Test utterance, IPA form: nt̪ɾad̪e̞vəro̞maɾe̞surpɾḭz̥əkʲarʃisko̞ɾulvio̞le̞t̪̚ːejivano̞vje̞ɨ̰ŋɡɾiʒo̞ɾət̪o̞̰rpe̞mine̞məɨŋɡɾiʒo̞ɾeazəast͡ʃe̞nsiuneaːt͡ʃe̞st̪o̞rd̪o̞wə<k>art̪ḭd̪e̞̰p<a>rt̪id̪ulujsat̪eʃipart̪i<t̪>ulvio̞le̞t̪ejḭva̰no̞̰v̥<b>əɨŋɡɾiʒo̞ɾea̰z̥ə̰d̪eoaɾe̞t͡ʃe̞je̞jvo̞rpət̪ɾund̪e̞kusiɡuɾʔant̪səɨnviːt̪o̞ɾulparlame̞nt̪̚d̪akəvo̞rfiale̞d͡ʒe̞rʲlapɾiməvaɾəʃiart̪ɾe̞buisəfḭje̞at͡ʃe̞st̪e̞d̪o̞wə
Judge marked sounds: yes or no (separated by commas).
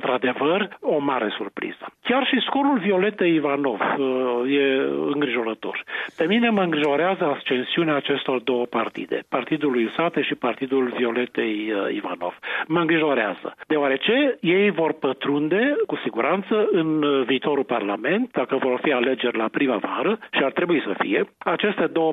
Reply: no, yes, no, no